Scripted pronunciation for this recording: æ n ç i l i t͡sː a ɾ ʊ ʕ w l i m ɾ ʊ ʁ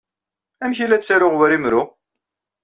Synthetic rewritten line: æ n ç i l æ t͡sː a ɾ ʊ ʁ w ɾ i m ɾ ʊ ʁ